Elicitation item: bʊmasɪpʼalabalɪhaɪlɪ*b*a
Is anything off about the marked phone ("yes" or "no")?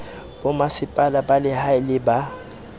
no